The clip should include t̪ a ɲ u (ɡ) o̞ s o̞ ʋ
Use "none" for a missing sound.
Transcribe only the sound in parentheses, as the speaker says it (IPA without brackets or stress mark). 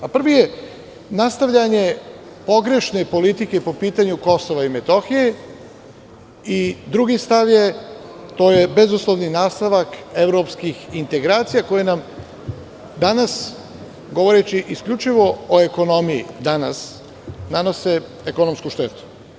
k